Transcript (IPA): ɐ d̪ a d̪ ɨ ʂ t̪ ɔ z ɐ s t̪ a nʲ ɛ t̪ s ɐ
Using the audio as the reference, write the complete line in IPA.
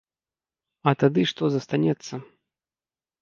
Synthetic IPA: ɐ t̪ a d̪ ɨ ʂ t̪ ɔ z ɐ s t̪ a nʲ ɛ t̪ sː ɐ